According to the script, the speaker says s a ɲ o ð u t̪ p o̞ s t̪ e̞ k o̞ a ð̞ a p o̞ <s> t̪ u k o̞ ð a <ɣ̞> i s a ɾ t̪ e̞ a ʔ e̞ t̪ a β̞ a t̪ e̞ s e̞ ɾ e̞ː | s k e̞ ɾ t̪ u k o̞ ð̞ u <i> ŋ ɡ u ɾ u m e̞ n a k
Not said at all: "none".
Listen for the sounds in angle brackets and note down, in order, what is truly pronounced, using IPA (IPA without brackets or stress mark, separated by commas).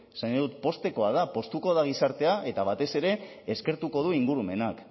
s, ɣ̞, i